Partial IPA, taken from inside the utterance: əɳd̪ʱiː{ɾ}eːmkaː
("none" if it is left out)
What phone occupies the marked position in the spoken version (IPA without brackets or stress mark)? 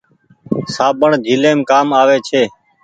l